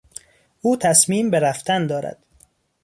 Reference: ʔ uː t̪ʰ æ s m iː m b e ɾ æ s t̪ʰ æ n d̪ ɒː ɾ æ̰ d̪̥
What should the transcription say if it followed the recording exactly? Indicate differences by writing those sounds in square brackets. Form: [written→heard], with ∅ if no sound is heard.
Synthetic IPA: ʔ uː t̪ʰ æ s m iː m b e ɾ æ [s→f] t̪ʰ æ n d̪ ɒː ɾ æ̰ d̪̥